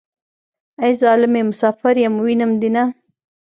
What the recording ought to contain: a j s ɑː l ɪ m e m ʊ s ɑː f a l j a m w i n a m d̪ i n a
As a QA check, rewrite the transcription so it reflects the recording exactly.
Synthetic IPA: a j z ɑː l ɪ m e m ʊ s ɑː f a ɾ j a m w i n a m d̪ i n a